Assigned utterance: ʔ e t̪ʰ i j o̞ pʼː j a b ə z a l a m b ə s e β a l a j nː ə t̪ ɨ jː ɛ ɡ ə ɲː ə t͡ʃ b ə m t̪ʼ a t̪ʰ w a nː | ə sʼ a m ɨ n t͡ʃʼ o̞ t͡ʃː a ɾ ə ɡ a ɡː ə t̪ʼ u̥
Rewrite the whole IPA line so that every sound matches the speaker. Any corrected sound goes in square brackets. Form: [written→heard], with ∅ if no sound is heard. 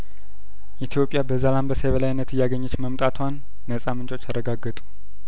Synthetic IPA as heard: ʔ [e→i] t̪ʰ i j o̞ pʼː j a b ə z a l a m b ə s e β [a→ə] l a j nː ə t̪ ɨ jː [ɛ→a] ɡ ə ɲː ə t͡ʃ [b→m] ə m t̪ʼ a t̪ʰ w a nː | ə sʼ a m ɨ n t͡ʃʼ o̞ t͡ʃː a ɾ ə ɡ a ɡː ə t̪ʼ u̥